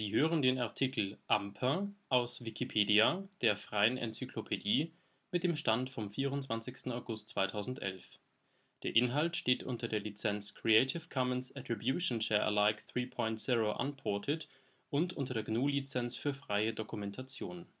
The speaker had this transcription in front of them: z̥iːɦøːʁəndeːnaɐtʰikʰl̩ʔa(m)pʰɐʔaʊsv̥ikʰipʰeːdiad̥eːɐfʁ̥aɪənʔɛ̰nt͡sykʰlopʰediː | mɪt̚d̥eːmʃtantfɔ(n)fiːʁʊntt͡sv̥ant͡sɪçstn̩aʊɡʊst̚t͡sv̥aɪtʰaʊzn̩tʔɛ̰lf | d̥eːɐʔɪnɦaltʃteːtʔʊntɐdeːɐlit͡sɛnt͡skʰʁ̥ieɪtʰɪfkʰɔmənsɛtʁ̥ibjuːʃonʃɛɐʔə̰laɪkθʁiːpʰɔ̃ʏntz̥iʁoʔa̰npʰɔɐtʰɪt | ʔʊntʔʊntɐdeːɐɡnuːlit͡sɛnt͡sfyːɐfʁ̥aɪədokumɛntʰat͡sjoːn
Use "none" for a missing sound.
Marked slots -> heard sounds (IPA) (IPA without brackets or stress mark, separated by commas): m, m